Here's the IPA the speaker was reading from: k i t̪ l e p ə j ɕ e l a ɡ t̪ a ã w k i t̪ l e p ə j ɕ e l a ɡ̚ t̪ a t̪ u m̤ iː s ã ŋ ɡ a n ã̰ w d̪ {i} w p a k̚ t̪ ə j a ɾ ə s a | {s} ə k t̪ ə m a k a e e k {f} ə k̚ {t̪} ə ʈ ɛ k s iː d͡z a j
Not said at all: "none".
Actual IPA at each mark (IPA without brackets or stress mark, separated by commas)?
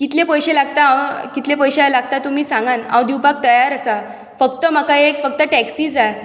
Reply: i, f, f, t̪